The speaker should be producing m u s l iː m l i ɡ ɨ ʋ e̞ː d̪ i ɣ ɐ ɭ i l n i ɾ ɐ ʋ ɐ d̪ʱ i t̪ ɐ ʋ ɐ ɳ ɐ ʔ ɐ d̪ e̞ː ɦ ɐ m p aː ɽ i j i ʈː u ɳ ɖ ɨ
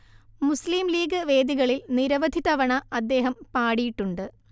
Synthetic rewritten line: m u s l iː m l iː ɡ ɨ ʋ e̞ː d̪ i ɣ ɐ ɭ i l n i ɾ ɐ ʋ ɐ d̪ʱ i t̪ ɐ ʋ ɐ ɳ ɐ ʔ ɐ d̪ː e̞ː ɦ ɐ m p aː ɽ i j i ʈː u ɳ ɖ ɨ